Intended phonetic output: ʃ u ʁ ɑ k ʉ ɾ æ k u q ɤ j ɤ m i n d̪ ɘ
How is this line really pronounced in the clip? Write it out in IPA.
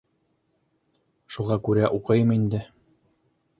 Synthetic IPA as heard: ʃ u ʁ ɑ k ʉ ɾ æ ʔ u q ɤ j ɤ m i n d̪ ɘ